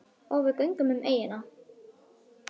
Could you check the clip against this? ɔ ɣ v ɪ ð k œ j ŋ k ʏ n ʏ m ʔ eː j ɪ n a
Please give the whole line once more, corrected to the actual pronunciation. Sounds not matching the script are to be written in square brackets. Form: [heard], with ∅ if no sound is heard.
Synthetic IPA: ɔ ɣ v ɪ ð k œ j ŋ k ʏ [m] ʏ m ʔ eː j ɪ n a

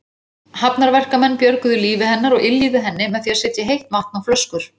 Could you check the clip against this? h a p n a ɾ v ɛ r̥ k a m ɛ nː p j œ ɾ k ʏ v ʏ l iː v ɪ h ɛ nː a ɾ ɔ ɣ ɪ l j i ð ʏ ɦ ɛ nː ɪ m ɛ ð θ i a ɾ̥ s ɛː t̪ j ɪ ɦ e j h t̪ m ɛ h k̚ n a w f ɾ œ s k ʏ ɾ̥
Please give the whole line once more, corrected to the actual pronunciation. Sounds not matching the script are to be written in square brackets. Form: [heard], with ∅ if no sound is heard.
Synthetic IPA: h a p n a ɾ v ɛ r̥ k a m ɛ nː p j œ ɾ k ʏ [ð] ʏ l iː v ɪ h ɛ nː a ɾ ɔ ɣ ɪ l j i ð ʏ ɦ ɛ nː ɪ m ɛ ð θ i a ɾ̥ s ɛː t̪ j ɪ ɦ e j h t̪ m [a] h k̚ n a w f [l] œ s k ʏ ɾ̥

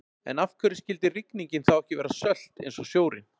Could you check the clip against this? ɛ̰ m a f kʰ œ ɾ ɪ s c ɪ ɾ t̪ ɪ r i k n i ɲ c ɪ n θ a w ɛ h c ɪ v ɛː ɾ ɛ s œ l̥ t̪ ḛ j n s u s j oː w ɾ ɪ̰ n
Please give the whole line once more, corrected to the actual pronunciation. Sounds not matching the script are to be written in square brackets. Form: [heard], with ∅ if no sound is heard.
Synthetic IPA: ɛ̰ [n] a f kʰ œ ɾ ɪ s c ɪ [l] t̪ ɪ r i k n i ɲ c ɪ n θ a w ɛ h c ɪ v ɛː ɾ [a] s œ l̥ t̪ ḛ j n s [ɔ] s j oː w ɾ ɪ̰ n

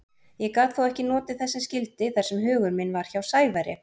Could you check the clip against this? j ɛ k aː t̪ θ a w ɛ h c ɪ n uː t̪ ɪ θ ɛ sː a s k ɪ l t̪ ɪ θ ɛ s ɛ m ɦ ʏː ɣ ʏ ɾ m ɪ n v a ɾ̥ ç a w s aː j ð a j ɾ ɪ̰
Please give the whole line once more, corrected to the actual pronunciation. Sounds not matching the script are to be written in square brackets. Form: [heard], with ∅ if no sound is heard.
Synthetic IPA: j ɛ k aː t̪ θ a w ɛ h c ɪ n [ɔː] t̪ ɪ θ ɛ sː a s [c] ɪ l t̪ ɪ θ ɛ s ɛ m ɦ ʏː ɣ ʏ ɾ m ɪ n v a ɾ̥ ç a w s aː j [v] a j ɾ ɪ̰

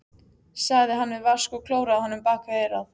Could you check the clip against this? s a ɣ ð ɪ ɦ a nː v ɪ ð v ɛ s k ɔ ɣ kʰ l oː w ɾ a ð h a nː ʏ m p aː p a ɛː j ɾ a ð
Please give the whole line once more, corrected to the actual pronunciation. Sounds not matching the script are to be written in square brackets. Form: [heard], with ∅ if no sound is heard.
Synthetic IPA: s a ɣ ð ɪ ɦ a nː v ɪ ð v [a] s k ɔ ɣ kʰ l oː w ɾ a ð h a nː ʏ m p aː [k] a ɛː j ɾ a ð

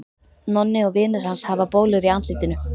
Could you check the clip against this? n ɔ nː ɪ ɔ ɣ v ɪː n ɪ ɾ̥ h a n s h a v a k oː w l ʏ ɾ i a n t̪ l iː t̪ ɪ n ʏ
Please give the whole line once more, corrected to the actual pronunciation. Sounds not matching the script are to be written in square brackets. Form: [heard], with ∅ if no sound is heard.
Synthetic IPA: n ɔ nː ɪ ɔ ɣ v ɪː n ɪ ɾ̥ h a n s h a v a [p] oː w l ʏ ɾ i a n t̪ l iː t̪ ɪ n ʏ

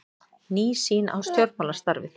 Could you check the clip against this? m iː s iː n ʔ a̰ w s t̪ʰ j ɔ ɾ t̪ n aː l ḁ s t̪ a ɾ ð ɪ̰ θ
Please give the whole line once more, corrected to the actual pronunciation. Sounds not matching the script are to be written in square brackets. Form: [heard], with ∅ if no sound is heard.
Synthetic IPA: [n] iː s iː n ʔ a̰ w s [t̪] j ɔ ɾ t̪ [m] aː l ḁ s t̪ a ɾ [v] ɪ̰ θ

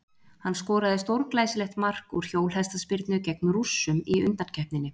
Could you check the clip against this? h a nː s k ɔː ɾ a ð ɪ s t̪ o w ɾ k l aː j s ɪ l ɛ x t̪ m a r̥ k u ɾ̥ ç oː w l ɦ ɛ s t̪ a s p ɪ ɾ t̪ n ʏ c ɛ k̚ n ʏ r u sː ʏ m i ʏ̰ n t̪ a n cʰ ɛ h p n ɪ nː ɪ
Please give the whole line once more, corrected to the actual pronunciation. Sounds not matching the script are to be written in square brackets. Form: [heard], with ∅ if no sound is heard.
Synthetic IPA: h a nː s k ɔː ɾ a ð ɪ s t̪ o w ɾ k l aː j s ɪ l ɛ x t̪ m a r̥ k u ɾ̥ ç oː w l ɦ ɛ s t̪ a s p ɪ ɾ t̪ n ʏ c ɛ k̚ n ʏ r u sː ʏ m i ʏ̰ n t̪ a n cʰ ɛ h p n ɪ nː ɪ

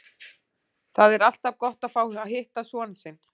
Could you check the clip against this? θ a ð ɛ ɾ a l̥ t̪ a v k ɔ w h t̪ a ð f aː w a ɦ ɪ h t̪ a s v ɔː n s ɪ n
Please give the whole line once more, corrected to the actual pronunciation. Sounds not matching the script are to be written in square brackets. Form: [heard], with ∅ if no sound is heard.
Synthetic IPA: θ a ð ɛ ɾ a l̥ t̪ a v k ɔ [∅] h t̪ a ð f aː w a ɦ ɪ h t̪ a s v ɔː n s ɪ n

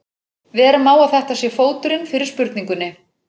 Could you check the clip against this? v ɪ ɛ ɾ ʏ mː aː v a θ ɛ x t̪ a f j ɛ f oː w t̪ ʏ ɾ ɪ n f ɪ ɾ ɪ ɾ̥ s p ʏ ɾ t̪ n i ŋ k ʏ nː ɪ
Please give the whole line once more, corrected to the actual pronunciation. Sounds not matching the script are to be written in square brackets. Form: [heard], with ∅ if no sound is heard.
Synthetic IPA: v ɪ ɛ ɾ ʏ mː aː [w] a θ ɛ [h] t̪ a [s] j ɛ f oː w t̪ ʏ ɾ ɪ n f ɪ ɾ ɪ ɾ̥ s p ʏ ɾ t̪ n i ŋ k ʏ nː ɪ

